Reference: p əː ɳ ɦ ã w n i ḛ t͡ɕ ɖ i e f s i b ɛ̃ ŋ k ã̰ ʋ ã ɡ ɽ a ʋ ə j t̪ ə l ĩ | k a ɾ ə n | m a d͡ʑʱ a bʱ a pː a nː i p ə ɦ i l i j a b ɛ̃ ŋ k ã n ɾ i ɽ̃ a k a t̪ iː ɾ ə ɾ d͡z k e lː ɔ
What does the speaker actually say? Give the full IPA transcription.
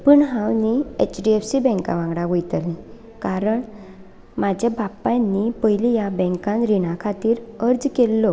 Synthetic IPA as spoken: p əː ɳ ɦ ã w n i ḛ t͡ɕ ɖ i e f s i b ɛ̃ ŋ k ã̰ ʋ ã ɡ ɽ a ʋ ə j t̪ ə l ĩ | k a ɾ ə ɳ | m a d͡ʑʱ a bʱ a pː a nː i p ə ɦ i l i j a b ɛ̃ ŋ k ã n ɾ i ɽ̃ a kʰ a t̪ iː ɾ ə ɾ d͡z k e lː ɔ